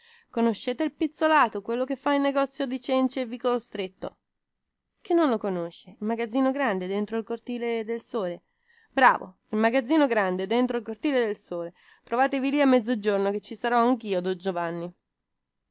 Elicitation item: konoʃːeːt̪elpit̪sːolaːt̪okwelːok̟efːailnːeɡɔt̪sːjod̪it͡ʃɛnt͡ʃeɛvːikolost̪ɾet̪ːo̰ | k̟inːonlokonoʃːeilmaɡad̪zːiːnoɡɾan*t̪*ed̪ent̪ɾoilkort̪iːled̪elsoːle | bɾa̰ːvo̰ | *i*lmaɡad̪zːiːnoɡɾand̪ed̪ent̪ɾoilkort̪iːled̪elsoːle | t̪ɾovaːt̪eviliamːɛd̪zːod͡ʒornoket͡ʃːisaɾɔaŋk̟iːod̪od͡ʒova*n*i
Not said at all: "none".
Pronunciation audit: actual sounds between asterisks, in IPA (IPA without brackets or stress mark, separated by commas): d̪, i, nː